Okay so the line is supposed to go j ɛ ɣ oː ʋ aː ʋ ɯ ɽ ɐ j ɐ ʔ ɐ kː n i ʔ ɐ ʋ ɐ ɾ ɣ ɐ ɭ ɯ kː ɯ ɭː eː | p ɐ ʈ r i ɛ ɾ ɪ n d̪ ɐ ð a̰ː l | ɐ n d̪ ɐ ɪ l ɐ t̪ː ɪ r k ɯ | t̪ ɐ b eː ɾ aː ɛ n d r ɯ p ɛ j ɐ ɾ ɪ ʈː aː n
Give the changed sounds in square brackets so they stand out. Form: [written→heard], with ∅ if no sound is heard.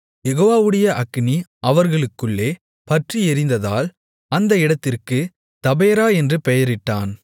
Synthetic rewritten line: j ɛ ɣ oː ʋ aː ʋ ɯ ɽ ɐ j ɐ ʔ ɐ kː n i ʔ ɐ ʋ ɐ ɾ ɣ ɐ ɭ ɯ kː ɯ ɭː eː | p ɐ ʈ r i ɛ ɾ ɪ n d̪ ɐ ð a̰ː l | ɐ n d̪ ɐ ɪ [l→ɽ] ɐ t̪ː ɪ r k ɯ | t̪ ɐ b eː ɾ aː ɛ n d r ɯ p ɛ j ɐ ɾ ɪ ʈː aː n